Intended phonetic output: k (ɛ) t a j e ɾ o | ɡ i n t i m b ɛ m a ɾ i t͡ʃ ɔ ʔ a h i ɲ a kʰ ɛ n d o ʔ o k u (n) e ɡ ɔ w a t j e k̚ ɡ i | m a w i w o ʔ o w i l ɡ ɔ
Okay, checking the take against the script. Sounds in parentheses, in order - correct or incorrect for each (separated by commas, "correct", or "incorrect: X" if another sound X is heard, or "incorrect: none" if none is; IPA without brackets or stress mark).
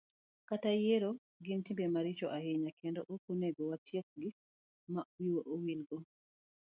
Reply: incorrect: a, correct